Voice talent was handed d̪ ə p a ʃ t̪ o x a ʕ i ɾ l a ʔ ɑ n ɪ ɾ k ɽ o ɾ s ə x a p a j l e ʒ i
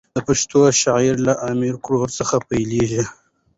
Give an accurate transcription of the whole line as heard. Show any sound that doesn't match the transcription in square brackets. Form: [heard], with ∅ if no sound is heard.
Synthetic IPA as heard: d̪ ə p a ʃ t̪ o [ʃ] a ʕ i ɾ l a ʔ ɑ [m] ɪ ɾ k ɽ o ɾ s ə x a p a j l e ʒ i